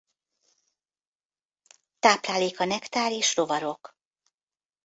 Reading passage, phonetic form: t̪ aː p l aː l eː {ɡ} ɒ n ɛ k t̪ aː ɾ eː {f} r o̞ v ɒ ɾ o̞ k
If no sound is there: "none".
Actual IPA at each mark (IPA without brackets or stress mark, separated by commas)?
k, ʃ